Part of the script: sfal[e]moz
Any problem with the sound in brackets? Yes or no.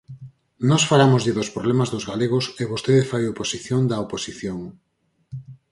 yes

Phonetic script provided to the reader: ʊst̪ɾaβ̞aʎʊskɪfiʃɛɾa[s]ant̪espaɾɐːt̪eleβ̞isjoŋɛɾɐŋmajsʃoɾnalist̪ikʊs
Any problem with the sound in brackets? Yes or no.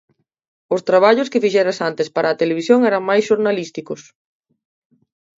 no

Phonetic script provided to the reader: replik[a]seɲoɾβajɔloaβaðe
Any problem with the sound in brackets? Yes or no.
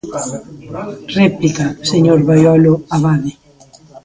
no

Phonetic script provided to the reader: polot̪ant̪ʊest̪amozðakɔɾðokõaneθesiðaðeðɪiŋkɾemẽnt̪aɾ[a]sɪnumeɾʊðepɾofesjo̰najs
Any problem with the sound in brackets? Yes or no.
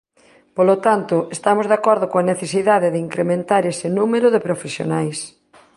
yes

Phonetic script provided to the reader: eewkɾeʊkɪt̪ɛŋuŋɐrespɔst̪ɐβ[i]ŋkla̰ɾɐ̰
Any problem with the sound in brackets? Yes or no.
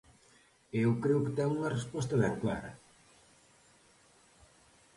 yes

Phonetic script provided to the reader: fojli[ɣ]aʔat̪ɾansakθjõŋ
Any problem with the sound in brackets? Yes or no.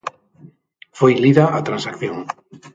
yes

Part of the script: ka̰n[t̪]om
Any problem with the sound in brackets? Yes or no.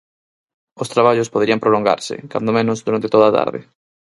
yes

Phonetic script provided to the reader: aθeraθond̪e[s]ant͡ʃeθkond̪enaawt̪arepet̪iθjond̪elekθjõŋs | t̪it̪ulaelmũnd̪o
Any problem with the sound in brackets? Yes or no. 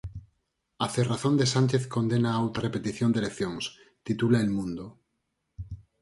no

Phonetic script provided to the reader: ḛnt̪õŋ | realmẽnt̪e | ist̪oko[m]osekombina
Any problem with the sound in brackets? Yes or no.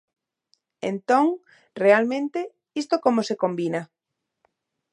no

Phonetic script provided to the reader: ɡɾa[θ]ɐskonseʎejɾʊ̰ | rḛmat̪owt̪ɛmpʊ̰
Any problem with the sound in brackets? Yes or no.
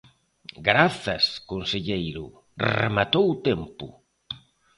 no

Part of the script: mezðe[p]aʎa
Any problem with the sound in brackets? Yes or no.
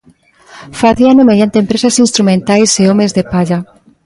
no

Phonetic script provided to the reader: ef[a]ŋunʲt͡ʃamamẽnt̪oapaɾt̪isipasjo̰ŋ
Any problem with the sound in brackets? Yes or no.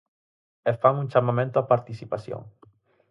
no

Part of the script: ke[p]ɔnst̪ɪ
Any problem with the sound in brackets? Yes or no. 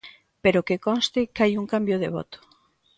yes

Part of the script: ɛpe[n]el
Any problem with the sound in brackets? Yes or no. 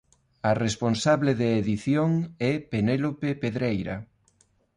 no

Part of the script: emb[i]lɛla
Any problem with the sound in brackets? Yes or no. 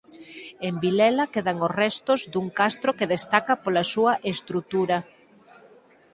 no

